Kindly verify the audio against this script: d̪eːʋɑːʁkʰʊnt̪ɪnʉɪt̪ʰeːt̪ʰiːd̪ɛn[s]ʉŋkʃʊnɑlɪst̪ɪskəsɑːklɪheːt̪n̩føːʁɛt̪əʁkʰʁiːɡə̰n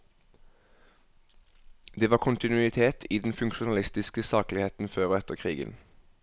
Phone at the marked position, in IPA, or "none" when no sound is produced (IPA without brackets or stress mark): f